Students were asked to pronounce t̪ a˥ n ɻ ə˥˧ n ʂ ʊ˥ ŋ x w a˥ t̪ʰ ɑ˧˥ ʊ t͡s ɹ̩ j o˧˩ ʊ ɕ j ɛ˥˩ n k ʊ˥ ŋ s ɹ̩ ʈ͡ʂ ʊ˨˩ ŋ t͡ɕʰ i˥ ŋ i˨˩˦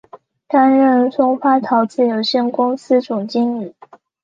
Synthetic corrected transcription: t̪ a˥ n ɻ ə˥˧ n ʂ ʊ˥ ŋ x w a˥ t̪ʰ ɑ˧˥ ʊ t͡s ɹ̩ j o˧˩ ʊ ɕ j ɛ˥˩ n k ʊ˥ ŋ s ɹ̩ ʈ͡ʂ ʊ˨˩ ŋ t͡ɕ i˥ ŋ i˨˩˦

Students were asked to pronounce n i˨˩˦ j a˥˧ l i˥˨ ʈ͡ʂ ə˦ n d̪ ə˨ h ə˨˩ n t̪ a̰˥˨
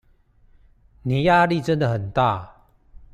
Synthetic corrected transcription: n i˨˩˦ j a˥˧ l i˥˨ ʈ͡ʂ ə˦ n d̪ ə˨ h ə˨˩ n t̪ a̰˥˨

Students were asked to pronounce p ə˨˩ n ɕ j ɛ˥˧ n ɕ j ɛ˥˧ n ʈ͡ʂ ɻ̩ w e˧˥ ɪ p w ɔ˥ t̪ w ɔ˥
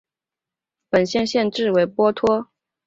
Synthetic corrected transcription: p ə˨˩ n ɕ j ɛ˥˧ n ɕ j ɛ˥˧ n ʈ͡ʂ ɻ̩ w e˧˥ ɪ p w ɔ˥ t̪ʰ w ɔ˥

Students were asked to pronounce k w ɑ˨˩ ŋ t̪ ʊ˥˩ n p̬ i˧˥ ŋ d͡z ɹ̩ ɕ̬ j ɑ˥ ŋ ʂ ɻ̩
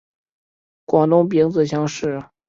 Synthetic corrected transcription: k w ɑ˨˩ ŋ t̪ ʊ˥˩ ŋ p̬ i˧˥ ŋ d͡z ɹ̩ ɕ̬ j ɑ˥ ŋ ʂ ɻ̩

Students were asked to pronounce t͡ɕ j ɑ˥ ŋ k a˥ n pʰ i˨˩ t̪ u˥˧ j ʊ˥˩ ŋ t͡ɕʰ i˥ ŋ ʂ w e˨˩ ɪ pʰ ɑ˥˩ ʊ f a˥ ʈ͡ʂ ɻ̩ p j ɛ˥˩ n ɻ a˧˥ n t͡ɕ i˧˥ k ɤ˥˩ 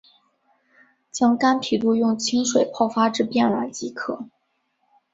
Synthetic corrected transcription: t͡ɕ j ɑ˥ ŋ k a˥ n pʰ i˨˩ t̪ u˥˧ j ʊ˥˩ ŋ t͡ɕʰ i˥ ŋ ʂ w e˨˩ ɪ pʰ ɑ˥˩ ʊ f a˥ ʈ͡ʂ ɻ̩ p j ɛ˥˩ n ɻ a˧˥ n t͡ɕ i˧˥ kʰ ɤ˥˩

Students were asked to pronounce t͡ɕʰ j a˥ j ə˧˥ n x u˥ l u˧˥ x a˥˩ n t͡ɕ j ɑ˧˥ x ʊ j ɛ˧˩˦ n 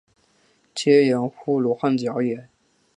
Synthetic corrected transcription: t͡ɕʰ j ɛ˥ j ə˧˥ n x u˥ l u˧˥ x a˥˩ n t͡ɕ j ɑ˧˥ ʊ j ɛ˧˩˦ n

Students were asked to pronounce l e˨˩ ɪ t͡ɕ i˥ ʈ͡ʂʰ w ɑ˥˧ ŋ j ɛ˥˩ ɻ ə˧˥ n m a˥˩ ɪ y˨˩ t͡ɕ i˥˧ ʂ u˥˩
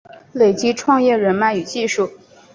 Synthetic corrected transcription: l e˨˩ ɪ t͡ɕ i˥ ʈ͡ʂʰ w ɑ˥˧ ŋ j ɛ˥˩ ɻ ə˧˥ n m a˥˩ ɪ y˨˩ t͡ɕ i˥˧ ʂ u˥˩

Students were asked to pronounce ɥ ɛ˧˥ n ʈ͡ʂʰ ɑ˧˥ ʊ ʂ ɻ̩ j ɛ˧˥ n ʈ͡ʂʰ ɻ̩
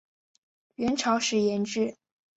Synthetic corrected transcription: ɥ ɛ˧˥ n ʈ͡ʂʰ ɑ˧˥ ʊ ʂ ɻ̩ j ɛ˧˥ n ʈ͡ʂ ɻ̩

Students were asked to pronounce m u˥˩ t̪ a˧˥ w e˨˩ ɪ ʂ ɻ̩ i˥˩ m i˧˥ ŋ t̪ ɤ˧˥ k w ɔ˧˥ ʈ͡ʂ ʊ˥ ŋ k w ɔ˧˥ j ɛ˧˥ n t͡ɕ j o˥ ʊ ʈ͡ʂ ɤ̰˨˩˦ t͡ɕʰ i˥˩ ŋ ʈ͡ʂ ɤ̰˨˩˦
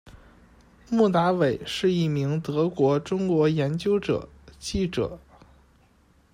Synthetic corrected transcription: m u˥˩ t̪ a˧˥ w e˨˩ ɪ ʂ ɻ̩ i˥˩ m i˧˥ ŋ t̪ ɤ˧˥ k w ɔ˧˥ ʈ͡ʂ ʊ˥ ŋ k w ɔ˧˥ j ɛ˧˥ n t͡ɕ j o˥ ʊ ʈ͡ʂ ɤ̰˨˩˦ t͡ɕ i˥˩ ʈ͡ʂ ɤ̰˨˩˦

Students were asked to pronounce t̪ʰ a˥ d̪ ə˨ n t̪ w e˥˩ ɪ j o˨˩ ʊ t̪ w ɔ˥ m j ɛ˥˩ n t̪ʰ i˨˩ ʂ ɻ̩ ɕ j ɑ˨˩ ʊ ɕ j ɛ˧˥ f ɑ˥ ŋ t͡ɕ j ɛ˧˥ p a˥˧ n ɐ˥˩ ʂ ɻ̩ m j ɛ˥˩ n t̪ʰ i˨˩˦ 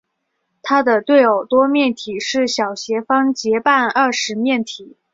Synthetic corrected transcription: t̪ʰ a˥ d̪ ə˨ t̪ w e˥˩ ɪ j o˨˩ ʊ t̪ w ɔ˥ m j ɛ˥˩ n t̪ʰ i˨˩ ʂ ɻ̩ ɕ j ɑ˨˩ ʊ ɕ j ɛ˧˥ f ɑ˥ ŋ t͡ɕ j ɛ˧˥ p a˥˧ n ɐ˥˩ ʂ ɻ̩ m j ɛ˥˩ n t̪ʰ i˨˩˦

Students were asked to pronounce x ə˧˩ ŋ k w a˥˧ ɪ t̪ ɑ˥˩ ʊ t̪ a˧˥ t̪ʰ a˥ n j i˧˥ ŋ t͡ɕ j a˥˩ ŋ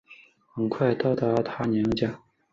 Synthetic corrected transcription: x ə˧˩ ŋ kʰ w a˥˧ ɪ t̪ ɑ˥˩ ʊ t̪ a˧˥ t̪ʰ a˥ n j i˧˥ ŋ t͡ɕ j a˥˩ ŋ

